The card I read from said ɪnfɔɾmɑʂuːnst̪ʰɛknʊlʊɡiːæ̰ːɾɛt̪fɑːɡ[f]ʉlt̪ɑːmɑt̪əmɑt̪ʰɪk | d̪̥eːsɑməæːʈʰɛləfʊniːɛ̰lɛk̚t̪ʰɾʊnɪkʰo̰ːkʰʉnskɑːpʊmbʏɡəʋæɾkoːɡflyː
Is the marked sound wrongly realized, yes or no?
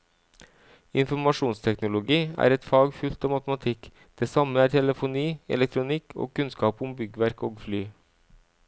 no